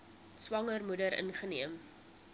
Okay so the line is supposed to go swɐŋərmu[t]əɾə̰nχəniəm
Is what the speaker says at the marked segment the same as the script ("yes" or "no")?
no